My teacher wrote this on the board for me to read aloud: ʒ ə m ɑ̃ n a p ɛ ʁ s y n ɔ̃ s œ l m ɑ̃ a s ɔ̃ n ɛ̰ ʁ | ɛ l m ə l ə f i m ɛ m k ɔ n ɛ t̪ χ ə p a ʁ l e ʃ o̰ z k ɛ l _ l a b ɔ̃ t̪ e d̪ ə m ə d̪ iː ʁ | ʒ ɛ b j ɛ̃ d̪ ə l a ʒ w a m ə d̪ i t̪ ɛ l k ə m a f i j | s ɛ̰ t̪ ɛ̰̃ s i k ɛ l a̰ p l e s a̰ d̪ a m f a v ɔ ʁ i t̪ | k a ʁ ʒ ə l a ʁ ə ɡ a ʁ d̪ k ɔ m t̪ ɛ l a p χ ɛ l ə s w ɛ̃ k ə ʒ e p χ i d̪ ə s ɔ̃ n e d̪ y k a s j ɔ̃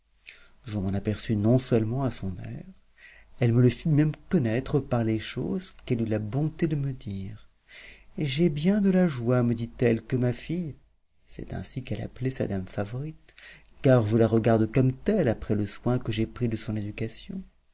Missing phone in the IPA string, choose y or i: y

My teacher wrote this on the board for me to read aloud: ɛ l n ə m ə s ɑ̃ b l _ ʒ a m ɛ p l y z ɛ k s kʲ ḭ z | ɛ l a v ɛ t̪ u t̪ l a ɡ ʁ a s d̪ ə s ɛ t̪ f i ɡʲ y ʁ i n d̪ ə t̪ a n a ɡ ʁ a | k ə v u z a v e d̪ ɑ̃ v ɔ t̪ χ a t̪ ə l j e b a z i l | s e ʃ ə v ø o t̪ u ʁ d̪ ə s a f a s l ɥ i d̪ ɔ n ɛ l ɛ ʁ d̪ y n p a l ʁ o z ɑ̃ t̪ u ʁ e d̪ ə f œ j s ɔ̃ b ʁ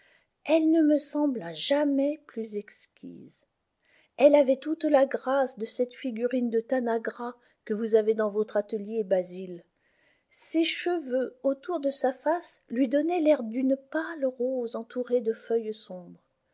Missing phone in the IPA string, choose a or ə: a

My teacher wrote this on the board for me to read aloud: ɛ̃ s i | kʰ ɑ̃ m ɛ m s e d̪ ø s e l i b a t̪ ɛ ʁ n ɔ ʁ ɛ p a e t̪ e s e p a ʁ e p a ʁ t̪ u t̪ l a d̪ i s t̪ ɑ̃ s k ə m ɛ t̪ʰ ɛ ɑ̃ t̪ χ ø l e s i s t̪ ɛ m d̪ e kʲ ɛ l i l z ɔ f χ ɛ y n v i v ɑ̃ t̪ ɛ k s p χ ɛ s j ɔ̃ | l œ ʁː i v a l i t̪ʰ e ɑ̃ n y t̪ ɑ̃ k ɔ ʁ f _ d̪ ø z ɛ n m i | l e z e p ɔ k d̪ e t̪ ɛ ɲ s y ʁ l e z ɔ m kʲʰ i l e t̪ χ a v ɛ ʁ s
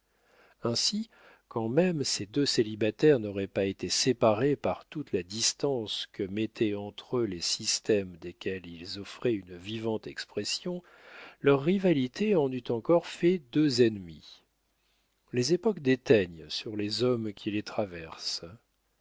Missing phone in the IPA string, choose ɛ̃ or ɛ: ɛ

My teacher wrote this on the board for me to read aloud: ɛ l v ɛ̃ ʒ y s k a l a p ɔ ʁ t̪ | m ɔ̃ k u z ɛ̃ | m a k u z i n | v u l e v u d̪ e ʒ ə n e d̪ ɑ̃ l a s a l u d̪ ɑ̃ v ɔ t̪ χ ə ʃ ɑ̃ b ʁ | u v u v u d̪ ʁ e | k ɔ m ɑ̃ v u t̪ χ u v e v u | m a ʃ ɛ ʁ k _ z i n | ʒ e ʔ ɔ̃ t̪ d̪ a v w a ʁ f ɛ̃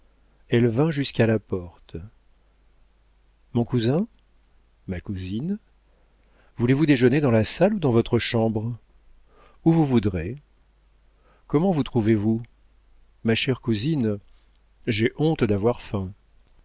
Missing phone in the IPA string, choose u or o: u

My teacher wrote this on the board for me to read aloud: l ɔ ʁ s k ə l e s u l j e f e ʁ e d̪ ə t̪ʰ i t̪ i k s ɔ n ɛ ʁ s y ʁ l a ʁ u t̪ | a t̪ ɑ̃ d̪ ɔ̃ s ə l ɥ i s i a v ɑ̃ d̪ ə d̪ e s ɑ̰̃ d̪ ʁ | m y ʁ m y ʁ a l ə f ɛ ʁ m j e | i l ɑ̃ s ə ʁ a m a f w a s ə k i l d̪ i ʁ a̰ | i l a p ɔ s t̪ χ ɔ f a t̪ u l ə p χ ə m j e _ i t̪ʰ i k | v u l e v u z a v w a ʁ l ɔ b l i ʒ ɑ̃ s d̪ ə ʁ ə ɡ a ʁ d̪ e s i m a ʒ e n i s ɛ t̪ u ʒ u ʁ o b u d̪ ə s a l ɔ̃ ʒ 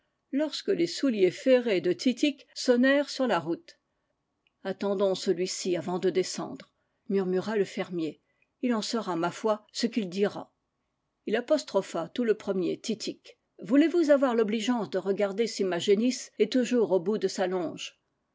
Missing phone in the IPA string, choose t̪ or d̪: t̪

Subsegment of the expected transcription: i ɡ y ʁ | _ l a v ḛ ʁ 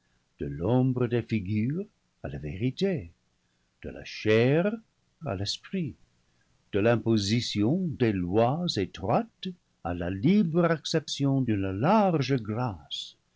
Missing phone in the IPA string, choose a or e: a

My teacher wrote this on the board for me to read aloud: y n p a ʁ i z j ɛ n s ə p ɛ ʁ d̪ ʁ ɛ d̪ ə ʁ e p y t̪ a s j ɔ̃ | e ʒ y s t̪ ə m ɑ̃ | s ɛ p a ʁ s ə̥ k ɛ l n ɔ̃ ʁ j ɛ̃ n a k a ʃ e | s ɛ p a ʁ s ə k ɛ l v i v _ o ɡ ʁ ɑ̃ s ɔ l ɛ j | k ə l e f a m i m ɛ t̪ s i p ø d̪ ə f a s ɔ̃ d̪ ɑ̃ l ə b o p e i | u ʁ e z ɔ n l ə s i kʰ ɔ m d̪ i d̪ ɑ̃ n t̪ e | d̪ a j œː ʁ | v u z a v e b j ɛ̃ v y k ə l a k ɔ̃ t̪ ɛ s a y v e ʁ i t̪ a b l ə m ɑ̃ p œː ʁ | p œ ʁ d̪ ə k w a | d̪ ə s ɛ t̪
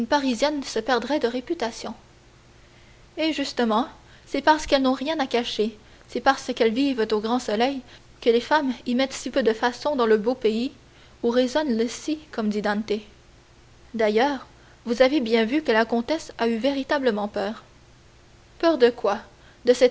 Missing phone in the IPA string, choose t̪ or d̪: t̪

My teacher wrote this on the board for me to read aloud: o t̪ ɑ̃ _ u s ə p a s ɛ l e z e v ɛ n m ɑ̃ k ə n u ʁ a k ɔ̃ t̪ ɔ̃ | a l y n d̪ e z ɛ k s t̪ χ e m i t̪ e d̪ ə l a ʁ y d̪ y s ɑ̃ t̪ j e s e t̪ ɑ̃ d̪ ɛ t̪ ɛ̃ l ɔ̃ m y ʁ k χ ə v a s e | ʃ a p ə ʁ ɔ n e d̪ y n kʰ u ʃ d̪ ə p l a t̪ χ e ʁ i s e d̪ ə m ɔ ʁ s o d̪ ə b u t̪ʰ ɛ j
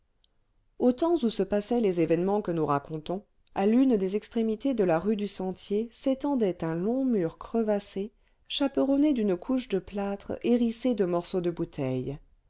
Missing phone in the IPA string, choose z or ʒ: z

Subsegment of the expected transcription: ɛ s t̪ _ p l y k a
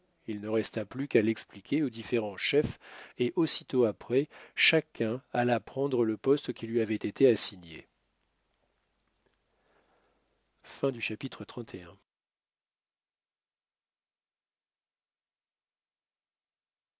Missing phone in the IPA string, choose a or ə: a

